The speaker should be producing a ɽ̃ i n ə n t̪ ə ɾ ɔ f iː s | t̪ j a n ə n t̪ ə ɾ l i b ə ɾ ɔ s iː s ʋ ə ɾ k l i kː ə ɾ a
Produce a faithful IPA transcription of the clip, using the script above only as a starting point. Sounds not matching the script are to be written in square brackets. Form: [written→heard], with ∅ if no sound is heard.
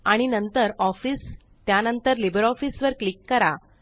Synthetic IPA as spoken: a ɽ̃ i n ə n t̪ ə ɾ ɔ f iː s | t̪ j a n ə n t̪ ə ɾ l i b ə ɾ ɔ [s→f] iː s ʋ ə ɾ k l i kː ə ɾ a